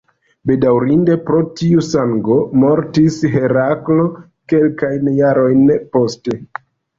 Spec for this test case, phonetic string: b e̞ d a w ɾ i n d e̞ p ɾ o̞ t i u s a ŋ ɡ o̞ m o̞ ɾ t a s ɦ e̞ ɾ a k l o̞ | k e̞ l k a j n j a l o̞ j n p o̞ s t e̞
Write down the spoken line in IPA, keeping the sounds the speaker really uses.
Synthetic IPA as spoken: b e̞ d a w ɾ i n d e̞ p ɾ o̞ t i u s a ŋ ɡ o̞ m o̞ ɾ t i s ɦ e̞ ɾ a k l o̞ | k e̞ l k a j n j a ɾ o̞ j n p o̞ s t e̞